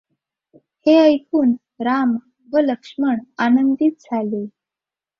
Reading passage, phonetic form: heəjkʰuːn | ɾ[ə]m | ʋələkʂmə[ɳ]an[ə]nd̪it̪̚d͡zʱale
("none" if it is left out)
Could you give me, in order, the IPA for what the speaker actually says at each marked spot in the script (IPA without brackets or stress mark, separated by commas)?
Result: a, ɳ, ə